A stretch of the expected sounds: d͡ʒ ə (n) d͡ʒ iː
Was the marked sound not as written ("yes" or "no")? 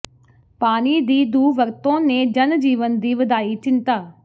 no